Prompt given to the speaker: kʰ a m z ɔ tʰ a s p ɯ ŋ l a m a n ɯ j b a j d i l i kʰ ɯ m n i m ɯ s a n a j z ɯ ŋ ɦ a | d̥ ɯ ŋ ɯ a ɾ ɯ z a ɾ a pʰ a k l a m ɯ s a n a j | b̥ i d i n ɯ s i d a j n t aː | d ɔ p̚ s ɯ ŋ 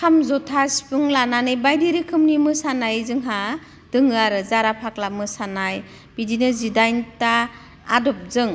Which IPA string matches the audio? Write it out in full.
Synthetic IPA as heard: kʰ a m z ɔ tʰ a s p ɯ ŋ l a n a n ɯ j b a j d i ɾ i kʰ ɯ m n i m ɯ s a n a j z ɯ ŋ ɦ a | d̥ ɯ ŋ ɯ a ɾ ɯ z a ɾ a pʰ a k l a m ɯ s a n a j | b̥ i d i n ɯ z i d a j n t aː | d ɔ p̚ z ɯ ŋ